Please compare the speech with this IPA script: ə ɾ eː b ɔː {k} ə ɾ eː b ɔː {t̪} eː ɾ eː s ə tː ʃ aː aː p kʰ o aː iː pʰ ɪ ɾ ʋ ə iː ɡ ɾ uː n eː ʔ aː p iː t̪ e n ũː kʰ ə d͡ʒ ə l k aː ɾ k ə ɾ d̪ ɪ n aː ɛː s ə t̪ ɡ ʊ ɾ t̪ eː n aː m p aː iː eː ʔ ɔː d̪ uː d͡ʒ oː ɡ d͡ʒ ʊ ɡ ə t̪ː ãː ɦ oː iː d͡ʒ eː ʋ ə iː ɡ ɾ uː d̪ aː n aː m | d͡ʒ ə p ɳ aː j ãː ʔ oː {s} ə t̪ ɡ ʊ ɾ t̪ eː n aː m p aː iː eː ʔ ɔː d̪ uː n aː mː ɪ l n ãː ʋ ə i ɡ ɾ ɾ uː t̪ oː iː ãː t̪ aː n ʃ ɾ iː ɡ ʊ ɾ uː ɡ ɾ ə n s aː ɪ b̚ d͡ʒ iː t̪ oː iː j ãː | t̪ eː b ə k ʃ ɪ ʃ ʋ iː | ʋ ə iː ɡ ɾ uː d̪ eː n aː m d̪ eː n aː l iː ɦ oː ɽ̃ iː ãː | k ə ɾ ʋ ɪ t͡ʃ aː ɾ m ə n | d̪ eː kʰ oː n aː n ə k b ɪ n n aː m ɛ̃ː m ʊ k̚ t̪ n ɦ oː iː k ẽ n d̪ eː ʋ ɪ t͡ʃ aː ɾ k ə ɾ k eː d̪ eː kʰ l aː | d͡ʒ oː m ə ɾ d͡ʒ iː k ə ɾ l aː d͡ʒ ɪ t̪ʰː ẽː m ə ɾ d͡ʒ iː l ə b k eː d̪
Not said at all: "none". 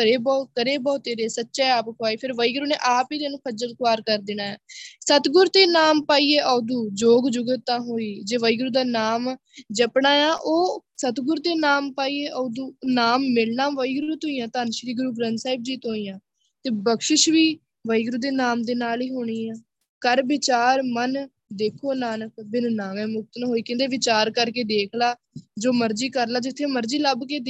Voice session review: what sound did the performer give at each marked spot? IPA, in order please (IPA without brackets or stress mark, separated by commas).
k, t̪, s